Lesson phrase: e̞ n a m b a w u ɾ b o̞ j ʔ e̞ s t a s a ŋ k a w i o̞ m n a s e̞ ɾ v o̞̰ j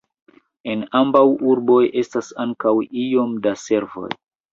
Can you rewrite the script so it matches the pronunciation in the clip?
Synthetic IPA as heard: e̞ n a m b a w u ɾ b o̞ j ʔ e̞ s t a s a ŋ k a w i o̞ m d a s e̞ ɾ v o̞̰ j